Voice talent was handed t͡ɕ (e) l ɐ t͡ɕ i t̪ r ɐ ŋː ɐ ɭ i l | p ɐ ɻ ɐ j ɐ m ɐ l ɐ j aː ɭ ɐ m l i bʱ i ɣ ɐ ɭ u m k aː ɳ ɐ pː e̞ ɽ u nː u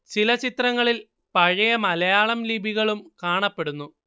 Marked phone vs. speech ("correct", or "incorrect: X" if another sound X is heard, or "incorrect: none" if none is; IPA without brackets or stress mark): incorrect: i